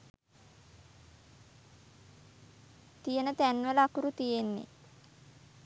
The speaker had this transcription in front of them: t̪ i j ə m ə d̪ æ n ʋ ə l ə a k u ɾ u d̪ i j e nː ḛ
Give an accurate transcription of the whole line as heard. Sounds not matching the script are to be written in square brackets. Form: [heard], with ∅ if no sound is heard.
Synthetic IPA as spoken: t̪ i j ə [n] ə [t̪] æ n ʋ ə l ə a k u ɾ u [t̪] i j e nː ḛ